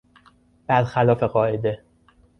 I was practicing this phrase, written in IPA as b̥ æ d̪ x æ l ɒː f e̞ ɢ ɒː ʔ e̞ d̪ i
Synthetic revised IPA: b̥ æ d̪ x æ l ɒː f e̞ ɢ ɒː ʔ e̞ d̪ e